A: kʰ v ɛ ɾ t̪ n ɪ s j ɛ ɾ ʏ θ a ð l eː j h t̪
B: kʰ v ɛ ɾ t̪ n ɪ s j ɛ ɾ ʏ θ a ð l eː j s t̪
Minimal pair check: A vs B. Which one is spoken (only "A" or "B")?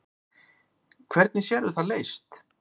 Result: B